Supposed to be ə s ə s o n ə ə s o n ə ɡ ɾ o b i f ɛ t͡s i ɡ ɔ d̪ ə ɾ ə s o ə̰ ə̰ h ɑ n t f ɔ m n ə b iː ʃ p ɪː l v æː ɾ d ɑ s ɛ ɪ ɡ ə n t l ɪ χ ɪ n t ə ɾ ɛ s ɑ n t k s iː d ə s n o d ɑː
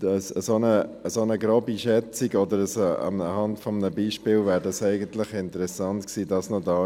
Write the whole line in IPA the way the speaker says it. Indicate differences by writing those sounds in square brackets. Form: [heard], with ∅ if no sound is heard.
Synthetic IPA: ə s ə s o n ə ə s o n ə ɡ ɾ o b i [ʃ] ɛ t͡s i ɡ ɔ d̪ ə ɾ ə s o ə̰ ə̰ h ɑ n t f ɔ m n ə b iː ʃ p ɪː l v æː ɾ d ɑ s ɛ ɪ ɡ ə n t l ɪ χ ɪ n t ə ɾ ɛ s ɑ n t k s iː d [ɑ] s n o d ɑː